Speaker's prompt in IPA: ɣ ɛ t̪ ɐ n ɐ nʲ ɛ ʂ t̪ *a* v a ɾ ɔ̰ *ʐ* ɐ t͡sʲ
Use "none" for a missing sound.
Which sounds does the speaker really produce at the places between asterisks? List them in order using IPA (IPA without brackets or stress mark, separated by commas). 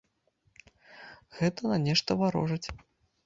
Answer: ɐ, ʐ